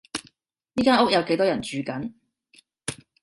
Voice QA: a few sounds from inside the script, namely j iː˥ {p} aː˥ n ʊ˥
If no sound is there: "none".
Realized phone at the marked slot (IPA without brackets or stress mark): k